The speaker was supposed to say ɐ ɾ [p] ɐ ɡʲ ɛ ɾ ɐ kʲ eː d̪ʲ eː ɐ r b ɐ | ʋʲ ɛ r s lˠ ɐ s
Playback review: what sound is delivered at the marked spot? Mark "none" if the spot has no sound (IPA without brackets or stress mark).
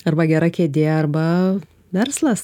b